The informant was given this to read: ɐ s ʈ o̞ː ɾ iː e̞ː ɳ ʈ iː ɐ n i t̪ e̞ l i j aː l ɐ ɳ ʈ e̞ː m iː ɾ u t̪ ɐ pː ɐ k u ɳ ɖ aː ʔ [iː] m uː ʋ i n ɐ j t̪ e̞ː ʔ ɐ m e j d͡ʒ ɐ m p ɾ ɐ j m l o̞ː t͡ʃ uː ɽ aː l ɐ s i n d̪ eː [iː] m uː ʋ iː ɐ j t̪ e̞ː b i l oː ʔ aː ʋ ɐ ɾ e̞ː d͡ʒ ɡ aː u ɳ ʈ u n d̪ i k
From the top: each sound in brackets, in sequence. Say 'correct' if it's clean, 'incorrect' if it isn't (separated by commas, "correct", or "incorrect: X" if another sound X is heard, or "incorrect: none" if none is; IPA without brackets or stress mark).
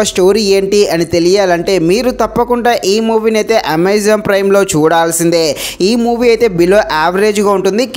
correct, correct